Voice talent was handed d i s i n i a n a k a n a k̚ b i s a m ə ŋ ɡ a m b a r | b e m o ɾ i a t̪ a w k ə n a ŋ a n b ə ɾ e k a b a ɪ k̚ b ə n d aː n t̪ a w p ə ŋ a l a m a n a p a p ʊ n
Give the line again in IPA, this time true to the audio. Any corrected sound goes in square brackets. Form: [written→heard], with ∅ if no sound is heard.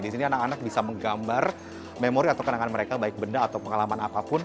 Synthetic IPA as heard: d i s i n i a n a k a n a k̚ b i s a m ə ŋ ɡ a m b a r | [b→m] e m o ɾ i a t̪ a w k ə n a ŋ a n [b→m] ə ɾ e k a b a ɪ k̚ b ə n d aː [n→∅] t̪ a w p ə ŋ a l a m a n a p a p ʊ n